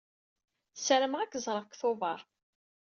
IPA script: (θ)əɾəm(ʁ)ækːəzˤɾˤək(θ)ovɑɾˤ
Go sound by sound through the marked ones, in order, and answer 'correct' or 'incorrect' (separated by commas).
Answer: incorrect, correct, correct